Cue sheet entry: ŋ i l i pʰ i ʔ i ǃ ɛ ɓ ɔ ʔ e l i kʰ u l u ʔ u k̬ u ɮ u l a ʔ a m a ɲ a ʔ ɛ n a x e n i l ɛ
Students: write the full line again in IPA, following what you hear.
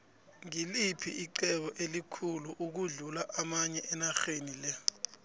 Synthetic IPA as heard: ŋ i l i pʰ i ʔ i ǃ ɛ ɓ ɔ ʔ e l i kʰ u l u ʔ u k̬ u ɮ u l a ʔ a m a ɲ ɛ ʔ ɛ n a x e n i l ɛ